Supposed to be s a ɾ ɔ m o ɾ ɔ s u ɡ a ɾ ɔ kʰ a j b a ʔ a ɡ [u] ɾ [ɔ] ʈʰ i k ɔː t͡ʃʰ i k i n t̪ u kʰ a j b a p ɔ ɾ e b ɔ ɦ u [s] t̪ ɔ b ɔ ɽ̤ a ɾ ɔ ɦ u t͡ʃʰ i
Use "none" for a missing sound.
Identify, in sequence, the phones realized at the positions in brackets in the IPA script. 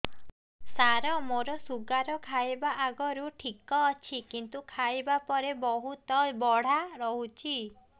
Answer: ɔ, u, none

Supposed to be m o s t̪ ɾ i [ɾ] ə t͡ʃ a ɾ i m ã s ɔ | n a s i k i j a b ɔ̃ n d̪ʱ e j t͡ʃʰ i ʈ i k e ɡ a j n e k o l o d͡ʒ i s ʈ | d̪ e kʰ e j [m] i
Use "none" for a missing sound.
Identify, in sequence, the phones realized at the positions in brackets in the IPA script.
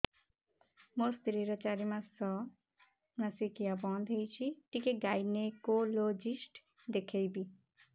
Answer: ɾ, b

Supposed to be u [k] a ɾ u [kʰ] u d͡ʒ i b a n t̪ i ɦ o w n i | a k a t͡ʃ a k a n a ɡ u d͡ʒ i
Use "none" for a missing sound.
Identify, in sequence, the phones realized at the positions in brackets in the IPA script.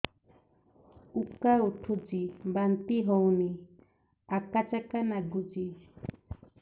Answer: k, ʈʰ

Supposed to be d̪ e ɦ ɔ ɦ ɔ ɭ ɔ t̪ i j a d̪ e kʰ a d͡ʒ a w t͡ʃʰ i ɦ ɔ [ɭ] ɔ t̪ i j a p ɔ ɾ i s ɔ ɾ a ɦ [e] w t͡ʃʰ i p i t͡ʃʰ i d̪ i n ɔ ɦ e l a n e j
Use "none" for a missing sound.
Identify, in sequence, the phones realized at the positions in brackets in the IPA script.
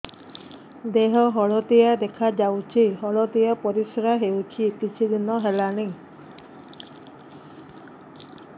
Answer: ɭ, e

